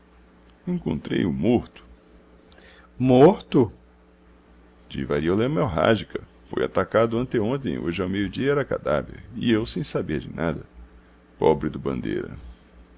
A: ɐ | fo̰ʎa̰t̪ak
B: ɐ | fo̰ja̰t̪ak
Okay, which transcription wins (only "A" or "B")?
B